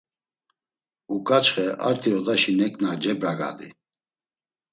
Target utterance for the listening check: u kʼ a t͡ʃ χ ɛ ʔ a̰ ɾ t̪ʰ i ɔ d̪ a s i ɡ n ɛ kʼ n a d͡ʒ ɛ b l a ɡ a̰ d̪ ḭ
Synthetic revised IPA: u kʼ a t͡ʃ χ ɛ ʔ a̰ ɾ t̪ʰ i ɔ d̪ a ʃ i n ɛ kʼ n a d͡ʒ ɛ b ɾ a ɡ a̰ d̪ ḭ